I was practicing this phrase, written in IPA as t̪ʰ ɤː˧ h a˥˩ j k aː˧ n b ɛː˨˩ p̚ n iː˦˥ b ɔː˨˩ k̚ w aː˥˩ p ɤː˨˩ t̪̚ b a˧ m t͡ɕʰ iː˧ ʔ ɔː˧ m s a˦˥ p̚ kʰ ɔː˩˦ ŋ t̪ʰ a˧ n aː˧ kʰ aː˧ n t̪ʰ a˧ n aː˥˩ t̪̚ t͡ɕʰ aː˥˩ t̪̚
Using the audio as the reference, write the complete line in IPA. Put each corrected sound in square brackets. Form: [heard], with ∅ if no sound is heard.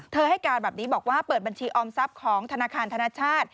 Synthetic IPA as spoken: t̪ʰ ɤː˧ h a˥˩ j k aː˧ n b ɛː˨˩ p̚ n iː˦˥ b ɔː˨˩ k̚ w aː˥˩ p ɤː˨˩ t̪̚ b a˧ [n] t͡ɕʰ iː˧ ʔ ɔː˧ m s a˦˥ p̚ kʰ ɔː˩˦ ŋ t̪ʰ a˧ n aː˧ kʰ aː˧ n t̪ʰ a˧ n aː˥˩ [∅] t͡ɕʰ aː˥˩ t̪̚